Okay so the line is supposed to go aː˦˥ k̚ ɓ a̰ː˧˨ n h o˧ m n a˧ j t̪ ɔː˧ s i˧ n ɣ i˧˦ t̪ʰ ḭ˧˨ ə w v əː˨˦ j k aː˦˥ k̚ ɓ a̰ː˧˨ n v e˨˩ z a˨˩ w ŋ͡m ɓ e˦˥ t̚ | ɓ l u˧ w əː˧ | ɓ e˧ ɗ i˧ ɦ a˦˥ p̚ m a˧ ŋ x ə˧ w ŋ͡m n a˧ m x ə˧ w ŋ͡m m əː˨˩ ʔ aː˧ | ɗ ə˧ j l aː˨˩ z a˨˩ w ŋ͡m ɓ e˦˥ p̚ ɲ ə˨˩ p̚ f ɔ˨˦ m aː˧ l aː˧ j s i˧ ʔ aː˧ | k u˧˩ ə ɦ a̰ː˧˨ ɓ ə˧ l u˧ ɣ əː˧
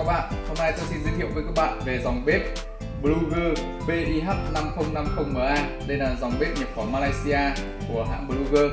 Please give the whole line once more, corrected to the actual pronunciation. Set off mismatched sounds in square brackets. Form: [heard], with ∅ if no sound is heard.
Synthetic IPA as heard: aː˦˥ k̚ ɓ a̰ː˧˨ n h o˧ m n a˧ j t̪ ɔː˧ s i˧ n [z] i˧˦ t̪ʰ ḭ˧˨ ə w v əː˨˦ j k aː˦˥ k̚ ɓ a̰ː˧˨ n v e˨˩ z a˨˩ w ŋ͡m ɓ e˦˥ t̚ | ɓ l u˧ [ɣ] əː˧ | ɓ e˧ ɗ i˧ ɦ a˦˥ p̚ [n] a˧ [m] x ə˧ w ŋ͡m n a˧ m x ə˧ w ŋ͡m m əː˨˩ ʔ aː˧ | ɗ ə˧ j l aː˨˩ z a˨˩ w ŋ͡m ɓ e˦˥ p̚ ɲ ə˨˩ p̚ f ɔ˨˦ m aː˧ l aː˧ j s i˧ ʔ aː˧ | k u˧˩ ə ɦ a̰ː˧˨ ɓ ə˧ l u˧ ɣ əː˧